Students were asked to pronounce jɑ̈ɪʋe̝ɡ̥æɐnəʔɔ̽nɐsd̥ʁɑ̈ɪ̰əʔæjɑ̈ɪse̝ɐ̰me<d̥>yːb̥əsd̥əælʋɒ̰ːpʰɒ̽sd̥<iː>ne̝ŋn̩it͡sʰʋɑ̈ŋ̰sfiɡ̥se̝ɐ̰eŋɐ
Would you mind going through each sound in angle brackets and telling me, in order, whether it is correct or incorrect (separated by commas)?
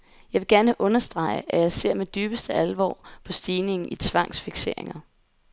correct, correct